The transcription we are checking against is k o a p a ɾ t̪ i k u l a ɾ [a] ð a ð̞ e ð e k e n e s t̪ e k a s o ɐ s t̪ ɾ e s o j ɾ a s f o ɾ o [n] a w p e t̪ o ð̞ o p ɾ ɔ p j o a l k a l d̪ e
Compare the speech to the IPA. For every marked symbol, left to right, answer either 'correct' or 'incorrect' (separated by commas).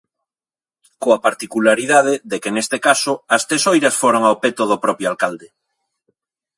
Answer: incorrect, incorrect